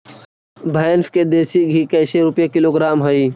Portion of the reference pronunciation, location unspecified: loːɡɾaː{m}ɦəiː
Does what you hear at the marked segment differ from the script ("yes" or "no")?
no